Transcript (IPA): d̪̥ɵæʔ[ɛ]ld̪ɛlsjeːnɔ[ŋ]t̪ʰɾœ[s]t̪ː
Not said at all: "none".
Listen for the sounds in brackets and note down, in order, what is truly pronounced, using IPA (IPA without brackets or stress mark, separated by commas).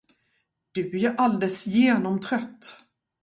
a, m, none